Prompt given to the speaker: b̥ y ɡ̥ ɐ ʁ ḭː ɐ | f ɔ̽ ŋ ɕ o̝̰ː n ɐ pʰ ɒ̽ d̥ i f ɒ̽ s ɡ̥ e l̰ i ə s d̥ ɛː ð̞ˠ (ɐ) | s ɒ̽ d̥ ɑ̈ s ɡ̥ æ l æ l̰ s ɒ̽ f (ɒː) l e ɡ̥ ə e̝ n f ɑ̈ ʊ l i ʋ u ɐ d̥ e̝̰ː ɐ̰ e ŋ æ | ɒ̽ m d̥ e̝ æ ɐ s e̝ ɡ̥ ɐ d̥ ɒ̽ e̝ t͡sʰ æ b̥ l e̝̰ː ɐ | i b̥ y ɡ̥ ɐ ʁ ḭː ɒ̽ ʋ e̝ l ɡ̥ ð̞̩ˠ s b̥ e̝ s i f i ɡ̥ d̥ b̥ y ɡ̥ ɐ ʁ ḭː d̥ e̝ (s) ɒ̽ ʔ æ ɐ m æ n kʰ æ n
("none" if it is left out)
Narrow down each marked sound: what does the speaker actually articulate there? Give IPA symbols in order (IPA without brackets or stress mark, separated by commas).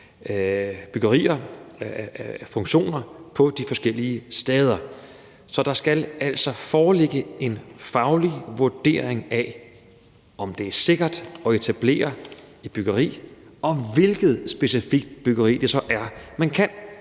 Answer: ɐ, ɒː, s